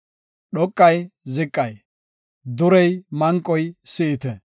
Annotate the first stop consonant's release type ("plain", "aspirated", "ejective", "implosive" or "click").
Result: implosive